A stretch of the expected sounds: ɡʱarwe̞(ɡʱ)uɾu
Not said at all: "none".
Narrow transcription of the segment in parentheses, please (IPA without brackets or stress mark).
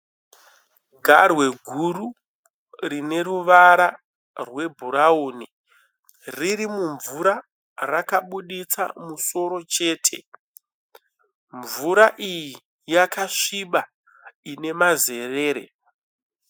ɡʱ